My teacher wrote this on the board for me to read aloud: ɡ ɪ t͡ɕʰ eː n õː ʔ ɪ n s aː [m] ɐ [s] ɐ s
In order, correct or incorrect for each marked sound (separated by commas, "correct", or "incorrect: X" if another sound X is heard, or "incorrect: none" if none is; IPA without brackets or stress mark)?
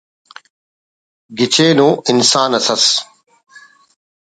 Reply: incorrect: n, correct